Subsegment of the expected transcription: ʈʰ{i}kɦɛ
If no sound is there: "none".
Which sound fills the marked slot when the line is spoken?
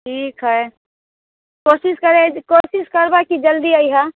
iː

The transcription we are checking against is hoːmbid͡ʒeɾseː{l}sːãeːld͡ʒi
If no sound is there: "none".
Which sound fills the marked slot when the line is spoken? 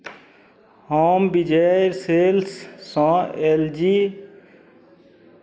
l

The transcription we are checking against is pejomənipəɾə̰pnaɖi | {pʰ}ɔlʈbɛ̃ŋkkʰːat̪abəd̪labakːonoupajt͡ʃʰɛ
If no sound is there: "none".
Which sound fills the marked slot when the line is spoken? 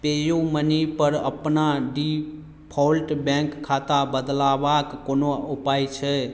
pʰ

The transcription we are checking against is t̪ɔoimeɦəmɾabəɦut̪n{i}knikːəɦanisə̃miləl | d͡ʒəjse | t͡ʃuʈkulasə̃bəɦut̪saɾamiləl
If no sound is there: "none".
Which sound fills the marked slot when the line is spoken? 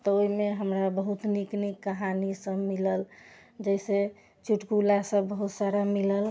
i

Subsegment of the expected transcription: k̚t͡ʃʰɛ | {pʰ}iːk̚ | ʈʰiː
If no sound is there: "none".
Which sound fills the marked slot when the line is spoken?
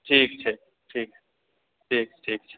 ʈʰ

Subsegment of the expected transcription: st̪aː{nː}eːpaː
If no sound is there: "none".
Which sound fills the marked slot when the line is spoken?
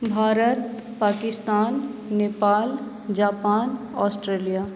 nː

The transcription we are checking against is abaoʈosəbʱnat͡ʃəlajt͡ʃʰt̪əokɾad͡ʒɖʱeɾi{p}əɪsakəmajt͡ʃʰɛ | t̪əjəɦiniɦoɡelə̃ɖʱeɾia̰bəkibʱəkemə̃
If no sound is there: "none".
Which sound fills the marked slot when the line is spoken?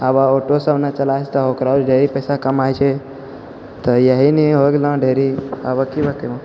p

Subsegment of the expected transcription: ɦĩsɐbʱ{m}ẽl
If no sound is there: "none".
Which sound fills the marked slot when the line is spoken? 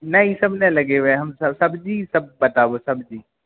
n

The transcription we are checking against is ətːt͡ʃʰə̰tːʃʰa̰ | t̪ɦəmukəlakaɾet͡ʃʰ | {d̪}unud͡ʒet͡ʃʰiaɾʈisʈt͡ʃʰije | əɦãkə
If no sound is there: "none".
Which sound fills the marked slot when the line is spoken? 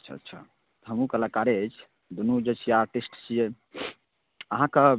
d̪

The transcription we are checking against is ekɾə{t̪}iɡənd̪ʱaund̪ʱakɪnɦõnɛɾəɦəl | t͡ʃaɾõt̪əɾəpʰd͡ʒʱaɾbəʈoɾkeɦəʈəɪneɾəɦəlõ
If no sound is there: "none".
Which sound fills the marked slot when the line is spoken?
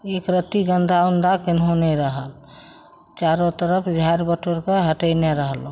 t̪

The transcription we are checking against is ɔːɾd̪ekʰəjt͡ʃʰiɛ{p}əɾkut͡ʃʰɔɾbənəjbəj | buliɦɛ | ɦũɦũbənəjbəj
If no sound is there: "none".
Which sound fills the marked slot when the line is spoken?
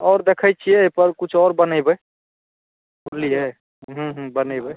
p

